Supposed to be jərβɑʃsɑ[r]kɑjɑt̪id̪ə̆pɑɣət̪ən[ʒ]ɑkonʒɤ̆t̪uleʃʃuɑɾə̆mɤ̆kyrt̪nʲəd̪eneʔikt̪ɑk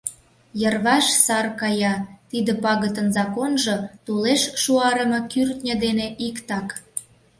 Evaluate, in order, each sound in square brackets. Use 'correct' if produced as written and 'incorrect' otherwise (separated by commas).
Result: correct, incorrect